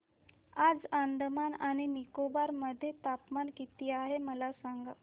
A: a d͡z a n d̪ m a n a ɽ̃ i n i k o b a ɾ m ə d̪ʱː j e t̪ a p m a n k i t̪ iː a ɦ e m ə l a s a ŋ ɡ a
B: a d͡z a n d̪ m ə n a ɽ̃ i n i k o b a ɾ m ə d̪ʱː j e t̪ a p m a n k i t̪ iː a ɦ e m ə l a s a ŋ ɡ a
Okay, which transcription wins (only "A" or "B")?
A